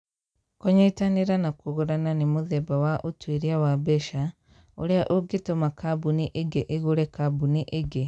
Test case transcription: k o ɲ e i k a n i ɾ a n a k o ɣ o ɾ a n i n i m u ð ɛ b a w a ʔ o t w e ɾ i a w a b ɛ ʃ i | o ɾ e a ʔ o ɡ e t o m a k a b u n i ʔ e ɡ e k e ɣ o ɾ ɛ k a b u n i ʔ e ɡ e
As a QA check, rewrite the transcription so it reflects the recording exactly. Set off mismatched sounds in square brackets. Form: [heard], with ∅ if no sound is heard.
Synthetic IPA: k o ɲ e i [t] a n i ɾ a n a k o ɣ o ɾ a n [a] n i m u ð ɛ b a w a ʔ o t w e ɾ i a w a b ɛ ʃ [a] | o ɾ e a ʔ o ɡ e t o m a k a b u n i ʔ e ɡ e [ʔ] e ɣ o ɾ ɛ k a b u n i ʔ e ɡ e